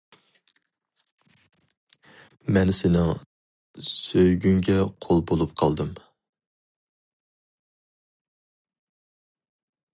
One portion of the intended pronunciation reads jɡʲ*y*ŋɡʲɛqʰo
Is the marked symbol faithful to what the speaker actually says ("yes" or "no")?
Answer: yes